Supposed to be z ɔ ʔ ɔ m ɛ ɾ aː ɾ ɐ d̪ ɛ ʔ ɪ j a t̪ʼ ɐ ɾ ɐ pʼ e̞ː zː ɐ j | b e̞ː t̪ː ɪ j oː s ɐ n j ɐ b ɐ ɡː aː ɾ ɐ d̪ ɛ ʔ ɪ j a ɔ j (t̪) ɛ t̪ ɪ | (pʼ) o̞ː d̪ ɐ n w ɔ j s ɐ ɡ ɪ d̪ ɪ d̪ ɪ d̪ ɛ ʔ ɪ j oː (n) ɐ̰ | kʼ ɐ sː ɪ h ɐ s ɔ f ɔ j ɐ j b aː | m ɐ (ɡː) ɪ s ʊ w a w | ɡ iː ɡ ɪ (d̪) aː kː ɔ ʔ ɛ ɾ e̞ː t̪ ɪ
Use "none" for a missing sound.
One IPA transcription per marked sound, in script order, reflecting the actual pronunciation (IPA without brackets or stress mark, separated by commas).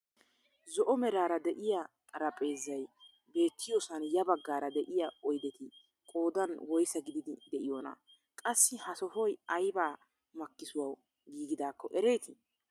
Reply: d̪, kʼ, n, kː, d̪